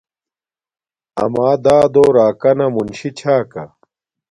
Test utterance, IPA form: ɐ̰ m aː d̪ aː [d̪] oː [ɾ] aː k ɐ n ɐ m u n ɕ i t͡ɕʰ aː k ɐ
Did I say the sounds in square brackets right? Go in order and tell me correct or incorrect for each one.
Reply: correct, correct

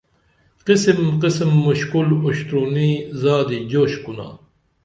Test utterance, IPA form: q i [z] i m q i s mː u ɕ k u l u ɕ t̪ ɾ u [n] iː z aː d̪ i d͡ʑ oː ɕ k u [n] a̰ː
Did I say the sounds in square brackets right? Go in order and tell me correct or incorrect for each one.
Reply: incorrect: s, correct, correct

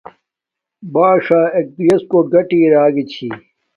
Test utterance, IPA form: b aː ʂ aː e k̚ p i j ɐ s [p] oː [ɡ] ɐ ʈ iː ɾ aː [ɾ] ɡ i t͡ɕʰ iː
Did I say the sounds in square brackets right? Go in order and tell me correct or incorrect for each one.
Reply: incorrect: k, correct, incorrect: none

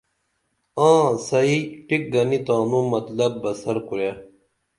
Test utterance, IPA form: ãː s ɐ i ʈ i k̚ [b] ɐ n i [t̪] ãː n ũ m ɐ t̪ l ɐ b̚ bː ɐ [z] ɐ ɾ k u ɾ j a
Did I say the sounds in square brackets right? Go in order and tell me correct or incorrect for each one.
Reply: incorrect: ɡ, correct, incorrect: s

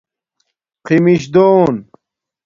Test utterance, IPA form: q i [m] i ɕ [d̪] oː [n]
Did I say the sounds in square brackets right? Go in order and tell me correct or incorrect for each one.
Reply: correct, correct, correct

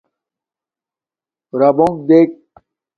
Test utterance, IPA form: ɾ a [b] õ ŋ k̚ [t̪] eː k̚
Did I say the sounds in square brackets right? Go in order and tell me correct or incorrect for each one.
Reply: correct, incorrect: d̪

